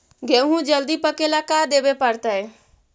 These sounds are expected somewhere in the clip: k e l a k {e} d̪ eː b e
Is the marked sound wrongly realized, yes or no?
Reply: yes